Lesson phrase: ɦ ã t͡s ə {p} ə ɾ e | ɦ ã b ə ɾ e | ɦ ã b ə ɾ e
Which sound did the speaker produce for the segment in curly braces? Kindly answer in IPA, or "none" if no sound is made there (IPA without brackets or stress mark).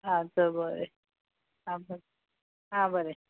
b